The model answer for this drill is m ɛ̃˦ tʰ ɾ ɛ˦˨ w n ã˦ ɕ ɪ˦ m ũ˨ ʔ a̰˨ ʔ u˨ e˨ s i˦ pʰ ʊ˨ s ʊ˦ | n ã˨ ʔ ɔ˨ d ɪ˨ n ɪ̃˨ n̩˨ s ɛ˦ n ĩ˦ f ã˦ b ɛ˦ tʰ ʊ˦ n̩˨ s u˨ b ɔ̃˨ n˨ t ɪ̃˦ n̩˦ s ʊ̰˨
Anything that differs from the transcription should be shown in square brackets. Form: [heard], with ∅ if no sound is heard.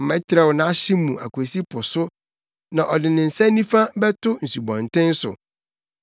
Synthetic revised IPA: m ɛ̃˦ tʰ ɾ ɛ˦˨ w n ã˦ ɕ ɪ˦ m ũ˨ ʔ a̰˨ [k] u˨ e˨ s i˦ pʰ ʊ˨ s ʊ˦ | n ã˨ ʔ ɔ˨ d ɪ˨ n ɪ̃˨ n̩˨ s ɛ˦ n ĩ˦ f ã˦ b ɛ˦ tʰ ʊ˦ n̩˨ s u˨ b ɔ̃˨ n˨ t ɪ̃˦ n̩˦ s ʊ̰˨